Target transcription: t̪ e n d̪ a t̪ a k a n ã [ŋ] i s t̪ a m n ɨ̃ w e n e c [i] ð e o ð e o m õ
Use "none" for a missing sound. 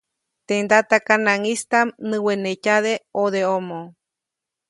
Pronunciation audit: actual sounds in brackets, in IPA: ŋ, a

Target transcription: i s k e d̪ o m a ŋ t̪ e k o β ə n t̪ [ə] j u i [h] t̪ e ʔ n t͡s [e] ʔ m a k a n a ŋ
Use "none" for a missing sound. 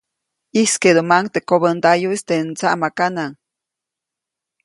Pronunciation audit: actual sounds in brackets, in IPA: a, s, a

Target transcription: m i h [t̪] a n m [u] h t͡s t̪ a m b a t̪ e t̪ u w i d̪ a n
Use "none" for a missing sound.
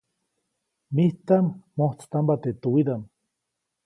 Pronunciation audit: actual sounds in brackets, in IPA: t̪, o

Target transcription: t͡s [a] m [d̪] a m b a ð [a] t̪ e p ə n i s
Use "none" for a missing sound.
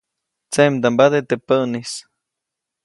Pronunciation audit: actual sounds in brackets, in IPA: e, d̪, e

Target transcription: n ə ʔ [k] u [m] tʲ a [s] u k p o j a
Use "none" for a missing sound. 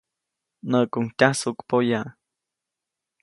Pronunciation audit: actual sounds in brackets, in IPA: k, ŋ, s

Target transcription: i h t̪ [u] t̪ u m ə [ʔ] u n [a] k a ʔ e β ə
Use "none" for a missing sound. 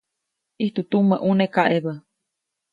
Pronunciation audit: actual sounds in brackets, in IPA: u, ʔ, e

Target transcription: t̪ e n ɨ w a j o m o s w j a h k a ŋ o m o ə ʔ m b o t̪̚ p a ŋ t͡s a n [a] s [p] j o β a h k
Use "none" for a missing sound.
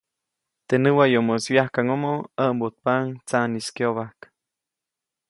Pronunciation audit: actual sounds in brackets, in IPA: i, k

